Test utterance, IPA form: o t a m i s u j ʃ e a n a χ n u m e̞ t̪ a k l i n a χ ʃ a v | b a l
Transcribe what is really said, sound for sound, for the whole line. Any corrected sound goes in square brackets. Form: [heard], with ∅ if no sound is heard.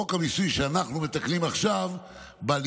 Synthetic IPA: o [k] a m i s u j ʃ e a n a χ n u m e̞ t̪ a k l i [m] a χ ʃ a v | b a l